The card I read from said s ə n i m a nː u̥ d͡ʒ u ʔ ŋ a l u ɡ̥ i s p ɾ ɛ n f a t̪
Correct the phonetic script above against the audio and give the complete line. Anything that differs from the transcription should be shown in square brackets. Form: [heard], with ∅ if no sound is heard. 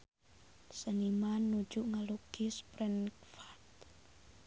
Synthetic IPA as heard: s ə n i m a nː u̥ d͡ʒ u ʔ ŋ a l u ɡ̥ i s p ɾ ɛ n f a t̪